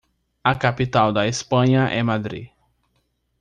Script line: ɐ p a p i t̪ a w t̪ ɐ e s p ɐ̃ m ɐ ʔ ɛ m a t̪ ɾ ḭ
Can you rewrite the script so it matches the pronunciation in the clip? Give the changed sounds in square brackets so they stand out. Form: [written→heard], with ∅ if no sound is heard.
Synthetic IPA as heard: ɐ [p→k] a p i t̪ a w [t̪→d̪] ɐ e s p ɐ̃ [m→ɲ] ɐ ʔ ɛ m a [t̪→d̪] ɾ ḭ